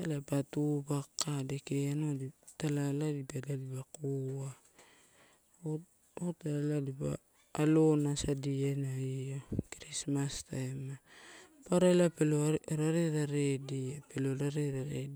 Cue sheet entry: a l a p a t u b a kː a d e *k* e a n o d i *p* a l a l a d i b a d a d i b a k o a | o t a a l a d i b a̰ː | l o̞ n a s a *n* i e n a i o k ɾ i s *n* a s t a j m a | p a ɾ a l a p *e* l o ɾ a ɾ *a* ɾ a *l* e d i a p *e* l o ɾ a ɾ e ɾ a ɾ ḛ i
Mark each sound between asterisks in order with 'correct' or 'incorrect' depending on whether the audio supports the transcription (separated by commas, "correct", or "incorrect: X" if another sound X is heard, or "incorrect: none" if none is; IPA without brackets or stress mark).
correct, incorrect: t, incorrect: d, incorrect: m, correct, incorrect: e, incorrect: ɾ, correct